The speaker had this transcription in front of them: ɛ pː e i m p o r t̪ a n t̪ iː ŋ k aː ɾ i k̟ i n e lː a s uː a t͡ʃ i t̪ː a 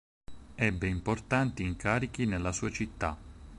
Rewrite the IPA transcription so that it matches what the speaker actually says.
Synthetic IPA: ɛ bː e i m p o r t̪ a n t̪ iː ŋ k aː ɾ i k̟ i n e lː a s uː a t͡ʃ i t̪ː a

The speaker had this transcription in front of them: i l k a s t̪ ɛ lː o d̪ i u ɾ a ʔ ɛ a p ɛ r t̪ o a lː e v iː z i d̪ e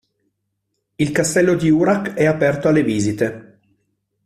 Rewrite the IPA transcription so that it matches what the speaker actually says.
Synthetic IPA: i l k a s t̪ ɛ lː o d̪ i u ɾ a k ɛ a p ɛ r t̪ o a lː e v iː z i t̪ e

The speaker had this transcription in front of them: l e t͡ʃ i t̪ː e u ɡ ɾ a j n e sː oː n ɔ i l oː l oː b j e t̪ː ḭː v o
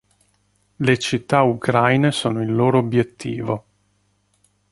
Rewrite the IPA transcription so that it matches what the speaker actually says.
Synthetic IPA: l e t͡ʃ i t̪ː a u k ɾ a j n e s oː n o i lː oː ɾ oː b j e t̪ː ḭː v o

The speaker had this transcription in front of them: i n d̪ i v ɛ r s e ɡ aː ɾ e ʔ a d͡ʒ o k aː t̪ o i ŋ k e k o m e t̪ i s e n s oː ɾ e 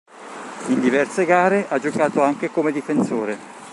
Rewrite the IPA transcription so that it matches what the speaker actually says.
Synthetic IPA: i n d̪ i v ɛ r s e ɡ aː ɾ e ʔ a d͡ʒ o k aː t̪ o a ŋ k e k o m e d̪ i f e n s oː ɾ e

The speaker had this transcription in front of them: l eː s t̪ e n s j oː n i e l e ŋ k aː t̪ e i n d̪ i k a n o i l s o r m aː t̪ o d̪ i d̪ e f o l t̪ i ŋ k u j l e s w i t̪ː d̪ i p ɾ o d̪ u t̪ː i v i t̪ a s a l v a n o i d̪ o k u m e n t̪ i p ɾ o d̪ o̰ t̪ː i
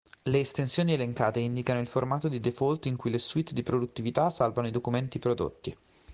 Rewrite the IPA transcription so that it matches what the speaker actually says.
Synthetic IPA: l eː s t̪ e n s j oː n i e l e ŋ k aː t̪ e i n d̪ i k a n o i l f o r m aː t̪ o d̪ i d̪ e f o l t̪ i ŋ k u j l e s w i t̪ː d̪ i p ɾ o d̪ u t̪ː i v i t̪ a s a l v a n o i d̪ o k u m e n t̪ i p ɾ o d̪ o̰ t̪ː i

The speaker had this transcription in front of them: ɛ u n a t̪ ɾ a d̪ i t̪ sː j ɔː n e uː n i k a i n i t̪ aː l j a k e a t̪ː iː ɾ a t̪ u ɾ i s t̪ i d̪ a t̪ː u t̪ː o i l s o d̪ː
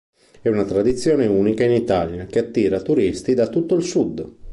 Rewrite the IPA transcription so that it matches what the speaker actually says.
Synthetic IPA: ɛ u n a t̪ ɾ a d̪ i t̪ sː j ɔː n e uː n i k a i n i t̪ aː l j a k e a t̪ː iː ɾ a t̪ u ɾ i s t̪ i d̪ a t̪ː u t̪ː o i l s u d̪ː

